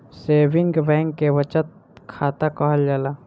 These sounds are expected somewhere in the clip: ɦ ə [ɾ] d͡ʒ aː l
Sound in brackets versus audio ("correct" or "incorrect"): incorrect